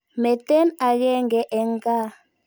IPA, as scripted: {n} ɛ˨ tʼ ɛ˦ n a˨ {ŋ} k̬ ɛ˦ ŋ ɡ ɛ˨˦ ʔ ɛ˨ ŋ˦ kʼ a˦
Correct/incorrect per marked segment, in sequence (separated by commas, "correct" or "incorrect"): incorrect, incorrect